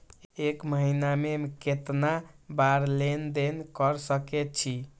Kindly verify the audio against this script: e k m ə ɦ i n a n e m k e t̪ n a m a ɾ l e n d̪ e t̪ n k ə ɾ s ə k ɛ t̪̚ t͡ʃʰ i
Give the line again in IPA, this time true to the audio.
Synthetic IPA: e k m ə ɦ i n a m e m k e t̪ n a b a ɾ l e n d̪ e n k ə ɾ s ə k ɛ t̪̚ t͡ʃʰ i